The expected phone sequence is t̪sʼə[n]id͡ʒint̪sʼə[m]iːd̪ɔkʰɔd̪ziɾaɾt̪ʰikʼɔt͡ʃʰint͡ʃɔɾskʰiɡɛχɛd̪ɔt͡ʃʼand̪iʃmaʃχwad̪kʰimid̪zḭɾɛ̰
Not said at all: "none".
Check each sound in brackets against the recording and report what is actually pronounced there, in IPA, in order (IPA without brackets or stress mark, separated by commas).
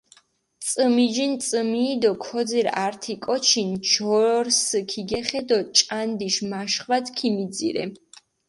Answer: m, m